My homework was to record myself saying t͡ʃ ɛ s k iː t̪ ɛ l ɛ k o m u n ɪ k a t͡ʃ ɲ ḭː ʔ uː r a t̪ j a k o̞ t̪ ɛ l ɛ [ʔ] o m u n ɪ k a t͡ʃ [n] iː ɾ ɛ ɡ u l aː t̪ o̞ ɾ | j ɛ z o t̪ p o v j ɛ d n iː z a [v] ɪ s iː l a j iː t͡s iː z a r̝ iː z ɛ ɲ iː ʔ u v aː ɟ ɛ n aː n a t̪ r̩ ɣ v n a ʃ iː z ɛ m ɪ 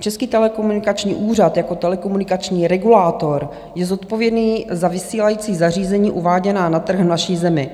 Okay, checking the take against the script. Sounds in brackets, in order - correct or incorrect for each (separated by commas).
incorrect, incorrect, correct